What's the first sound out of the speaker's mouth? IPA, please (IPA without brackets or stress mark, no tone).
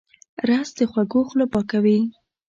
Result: ɾ